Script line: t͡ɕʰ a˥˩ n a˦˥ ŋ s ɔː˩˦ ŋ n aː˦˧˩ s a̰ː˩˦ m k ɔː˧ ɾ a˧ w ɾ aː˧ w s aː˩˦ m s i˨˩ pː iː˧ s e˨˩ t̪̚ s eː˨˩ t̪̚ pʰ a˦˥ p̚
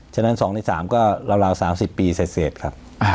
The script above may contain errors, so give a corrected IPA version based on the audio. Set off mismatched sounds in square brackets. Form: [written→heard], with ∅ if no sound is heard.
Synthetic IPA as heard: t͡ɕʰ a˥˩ n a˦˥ [ŋ→n] s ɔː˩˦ ŋ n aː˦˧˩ s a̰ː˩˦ m k [ɔː˧→ɔː˥˩] ɾ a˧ w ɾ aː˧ w s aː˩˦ m s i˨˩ pː iː˧ s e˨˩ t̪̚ s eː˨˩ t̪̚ [pʰ→kʰ] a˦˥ p̚